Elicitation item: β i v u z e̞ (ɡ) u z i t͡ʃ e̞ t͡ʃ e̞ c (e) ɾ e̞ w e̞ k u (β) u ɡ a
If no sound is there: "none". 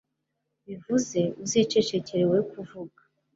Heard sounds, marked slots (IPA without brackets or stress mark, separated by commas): none, e, v